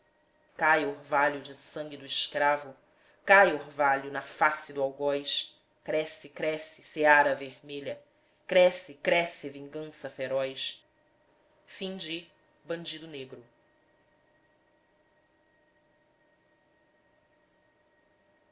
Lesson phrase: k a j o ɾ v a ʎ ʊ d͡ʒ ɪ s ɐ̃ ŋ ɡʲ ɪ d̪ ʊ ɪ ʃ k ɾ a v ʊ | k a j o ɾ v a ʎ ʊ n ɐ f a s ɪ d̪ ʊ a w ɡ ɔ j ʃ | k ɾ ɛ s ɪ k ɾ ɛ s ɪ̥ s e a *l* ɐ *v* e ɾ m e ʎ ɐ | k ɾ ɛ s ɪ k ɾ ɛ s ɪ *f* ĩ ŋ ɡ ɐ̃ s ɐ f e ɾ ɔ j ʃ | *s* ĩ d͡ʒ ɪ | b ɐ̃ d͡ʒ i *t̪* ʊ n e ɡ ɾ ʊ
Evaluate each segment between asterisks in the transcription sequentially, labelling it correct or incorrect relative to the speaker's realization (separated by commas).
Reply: incorrect, correct, incorrect, incorrect, incorrect